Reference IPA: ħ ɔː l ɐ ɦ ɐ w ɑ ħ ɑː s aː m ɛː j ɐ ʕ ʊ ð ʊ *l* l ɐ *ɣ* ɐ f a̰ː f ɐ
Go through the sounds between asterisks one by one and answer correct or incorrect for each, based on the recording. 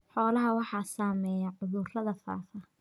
incorrect: r, incorrect: ð

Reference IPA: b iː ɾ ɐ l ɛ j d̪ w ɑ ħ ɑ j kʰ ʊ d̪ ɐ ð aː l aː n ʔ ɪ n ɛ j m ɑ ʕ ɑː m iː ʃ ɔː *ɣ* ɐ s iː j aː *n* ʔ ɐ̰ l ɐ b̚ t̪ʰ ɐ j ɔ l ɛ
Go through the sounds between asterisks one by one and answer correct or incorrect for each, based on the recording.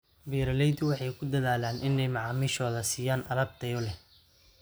incorrect: ð, correct

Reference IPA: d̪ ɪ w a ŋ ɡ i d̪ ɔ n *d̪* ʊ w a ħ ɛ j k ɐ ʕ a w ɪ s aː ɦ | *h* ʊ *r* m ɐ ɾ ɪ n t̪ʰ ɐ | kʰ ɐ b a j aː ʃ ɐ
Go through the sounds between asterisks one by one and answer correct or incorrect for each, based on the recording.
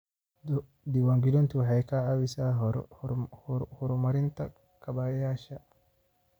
incorrect: t̪, correct, incorrect: ɾ

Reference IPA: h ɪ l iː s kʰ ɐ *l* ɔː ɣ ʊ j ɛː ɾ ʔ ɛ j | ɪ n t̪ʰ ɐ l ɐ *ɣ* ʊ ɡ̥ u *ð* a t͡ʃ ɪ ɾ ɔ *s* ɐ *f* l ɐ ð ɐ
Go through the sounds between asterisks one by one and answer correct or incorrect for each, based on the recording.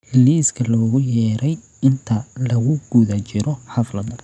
correct, correct, correct, incorrect: ħ, correct

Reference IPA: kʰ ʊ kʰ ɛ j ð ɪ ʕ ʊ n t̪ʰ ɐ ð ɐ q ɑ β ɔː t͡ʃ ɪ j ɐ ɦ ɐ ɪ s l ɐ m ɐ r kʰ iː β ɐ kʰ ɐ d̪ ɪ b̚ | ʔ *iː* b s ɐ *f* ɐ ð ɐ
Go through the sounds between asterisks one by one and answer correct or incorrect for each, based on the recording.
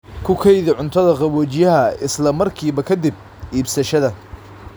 correct, incorrect: ʃ

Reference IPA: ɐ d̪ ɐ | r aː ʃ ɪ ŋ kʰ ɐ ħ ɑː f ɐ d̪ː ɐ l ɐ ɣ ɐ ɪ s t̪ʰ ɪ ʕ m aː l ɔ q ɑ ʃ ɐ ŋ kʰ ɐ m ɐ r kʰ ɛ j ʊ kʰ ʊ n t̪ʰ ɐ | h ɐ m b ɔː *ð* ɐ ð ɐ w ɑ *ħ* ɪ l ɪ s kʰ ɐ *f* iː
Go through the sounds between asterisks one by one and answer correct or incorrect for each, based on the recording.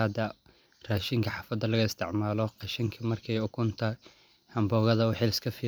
incorrect: ɣ, correct, correct

